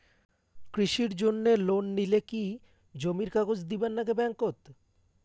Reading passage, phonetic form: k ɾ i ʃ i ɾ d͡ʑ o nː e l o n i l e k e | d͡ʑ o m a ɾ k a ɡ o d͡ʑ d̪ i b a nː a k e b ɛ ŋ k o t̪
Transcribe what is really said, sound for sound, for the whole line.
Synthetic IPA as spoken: k ɾ i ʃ i ɾ d͡ʑ o nː e l o nː i l e k i | d͡ʑ o m i ɾ k a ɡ o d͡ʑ d̪ i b a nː a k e b ɛ ŋ k o t̪